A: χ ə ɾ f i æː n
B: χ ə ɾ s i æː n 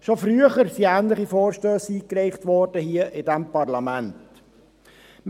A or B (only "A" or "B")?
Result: B